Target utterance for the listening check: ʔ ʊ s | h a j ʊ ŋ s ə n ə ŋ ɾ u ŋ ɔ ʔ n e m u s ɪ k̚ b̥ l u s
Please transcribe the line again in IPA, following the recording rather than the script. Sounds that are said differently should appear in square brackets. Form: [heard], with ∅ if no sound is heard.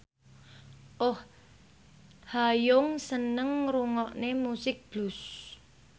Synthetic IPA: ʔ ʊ [h] | h a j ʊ ŋ s ə n ə ŋ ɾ u ŋ ɔ ʔ n e m u s ɪ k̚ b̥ l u s